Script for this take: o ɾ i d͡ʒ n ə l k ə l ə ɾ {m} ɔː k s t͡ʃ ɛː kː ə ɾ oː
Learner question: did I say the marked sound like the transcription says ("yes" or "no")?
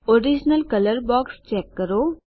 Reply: no